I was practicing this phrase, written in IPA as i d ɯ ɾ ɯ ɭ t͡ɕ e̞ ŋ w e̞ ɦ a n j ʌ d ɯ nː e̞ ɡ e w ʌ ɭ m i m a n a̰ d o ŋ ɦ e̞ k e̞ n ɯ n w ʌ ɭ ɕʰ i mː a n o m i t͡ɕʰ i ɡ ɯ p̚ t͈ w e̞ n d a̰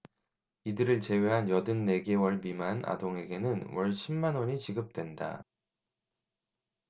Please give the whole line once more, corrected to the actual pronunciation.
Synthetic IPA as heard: i d ɯ ɾ ɯ ɭ t͡ɕ e̞ w e̞ ɦ a n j ʌ d ɯ nː e̞ ɡ e w ʌ ɭ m i m a n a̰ d o ŋ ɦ e̞ ɡ e̞ n ɯ n w ʌ ɭ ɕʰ i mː a n o ɲ i t͡ɕ i ɡ ɯ p̚ t͈ w e̞ n d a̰